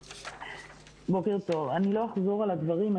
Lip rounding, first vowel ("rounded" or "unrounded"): rounded